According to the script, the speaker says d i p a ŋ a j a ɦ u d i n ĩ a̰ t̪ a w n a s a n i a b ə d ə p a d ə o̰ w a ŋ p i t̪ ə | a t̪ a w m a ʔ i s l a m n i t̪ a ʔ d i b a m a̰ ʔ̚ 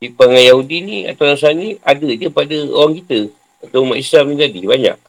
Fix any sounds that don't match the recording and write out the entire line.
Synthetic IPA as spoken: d i p a ŋ a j a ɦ u d i n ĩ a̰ t̪ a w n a s a n i a d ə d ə p a d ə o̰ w a ŋ k i t̪ ə | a t̪ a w m a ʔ i s l a m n i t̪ a d i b a ɲ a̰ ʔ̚